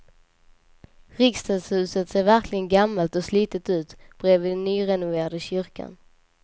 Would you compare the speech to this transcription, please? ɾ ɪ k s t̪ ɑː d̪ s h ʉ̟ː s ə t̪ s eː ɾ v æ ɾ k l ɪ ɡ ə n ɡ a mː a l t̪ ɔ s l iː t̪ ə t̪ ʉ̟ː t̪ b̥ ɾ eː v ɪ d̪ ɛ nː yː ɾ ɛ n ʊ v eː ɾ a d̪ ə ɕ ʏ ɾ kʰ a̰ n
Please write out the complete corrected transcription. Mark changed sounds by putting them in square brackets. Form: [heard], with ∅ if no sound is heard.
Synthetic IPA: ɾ ɪ k s t̪ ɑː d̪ s h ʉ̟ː s ə t̪ s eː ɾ v æ ɾ k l ɪ ɡ ə n ɡ a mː a l t̪ ɔ s l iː t̪ ə t̪ ʉ̟ː t̪ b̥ ɾ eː v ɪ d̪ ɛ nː yː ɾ ɛ n ʊ v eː ɾ a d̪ ə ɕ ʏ ɾ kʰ a̰ n